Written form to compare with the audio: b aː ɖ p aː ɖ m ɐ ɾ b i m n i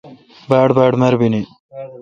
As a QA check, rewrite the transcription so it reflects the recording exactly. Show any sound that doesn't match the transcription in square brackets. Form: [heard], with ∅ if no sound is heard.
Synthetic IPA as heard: b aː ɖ [b] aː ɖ m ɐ ɾ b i [∅] n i